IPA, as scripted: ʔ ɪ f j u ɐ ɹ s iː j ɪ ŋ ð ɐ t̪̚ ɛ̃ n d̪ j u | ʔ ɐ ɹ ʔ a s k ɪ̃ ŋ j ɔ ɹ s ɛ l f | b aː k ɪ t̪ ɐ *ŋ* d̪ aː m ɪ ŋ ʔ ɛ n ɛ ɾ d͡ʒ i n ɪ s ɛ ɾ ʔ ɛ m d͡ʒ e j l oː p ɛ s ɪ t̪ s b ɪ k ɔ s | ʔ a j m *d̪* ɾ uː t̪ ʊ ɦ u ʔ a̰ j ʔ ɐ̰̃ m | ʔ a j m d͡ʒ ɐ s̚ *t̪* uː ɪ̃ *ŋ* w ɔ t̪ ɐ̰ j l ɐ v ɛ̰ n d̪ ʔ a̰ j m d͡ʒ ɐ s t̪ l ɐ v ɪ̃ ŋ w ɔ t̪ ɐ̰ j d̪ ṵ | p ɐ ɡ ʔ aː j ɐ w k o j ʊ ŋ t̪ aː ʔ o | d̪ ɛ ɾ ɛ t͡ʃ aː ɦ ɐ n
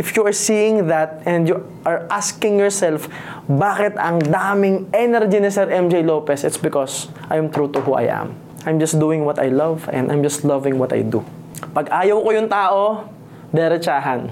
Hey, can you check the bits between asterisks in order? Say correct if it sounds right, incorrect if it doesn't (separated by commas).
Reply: correct, incorrect, incorrect, correct